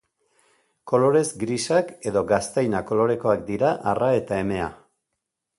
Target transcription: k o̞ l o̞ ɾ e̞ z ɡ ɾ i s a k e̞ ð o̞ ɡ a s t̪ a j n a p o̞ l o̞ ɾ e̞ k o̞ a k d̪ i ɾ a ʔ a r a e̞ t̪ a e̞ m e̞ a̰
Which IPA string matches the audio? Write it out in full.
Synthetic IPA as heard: k o̞ l o̞ ɾ e̞ z ɡ ɾ i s a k e̞ ð o̞ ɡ a s t̪ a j n a k o̞ l o̞ ɾ e̞ k o̞ a k d̪ i ɾ a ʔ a r a e̞ t̪ a e̞ m e̞ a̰